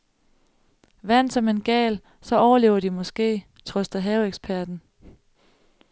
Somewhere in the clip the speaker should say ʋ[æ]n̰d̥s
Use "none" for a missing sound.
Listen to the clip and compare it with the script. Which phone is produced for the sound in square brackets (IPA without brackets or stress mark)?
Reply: æ